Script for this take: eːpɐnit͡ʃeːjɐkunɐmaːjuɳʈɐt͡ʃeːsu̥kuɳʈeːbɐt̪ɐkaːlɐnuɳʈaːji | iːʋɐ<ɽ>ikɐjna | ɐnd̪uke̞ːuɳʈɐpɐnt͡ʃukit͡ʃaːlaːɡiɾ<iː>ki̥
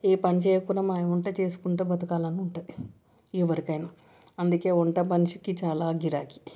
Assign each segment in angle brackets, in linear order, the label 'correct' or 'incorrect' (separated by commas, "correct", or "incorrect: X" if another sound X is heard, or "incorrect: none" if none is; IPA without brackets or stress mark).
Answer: incorrect: ɾ, incorrect: aː